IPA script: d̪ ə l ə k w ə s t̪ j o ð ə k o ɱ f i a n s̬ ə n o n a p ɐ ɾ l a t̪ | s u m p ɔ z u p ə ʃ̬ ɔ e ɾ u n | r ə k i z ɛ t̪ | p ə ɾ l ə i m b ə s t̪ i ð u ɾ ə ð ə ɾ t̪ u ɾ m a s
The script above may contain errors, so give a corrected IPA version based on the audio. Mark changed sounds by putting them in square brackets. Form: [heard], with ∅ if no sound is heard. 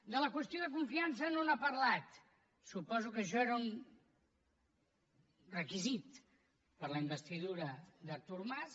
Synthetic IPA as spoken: d̪ ə l ə k w ə s t̪ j o ð ə k [u] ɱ f i a n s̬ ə n o n a p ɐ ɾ l a t̪ | s u [∅] p ɔ z u [k] ə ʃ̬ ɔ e ɾ u n | r ə k i z [i] t̪ | p ə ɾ l ə i m b ə s t̪ i ð u ɾ ə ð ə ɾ t̪ u ɾ m a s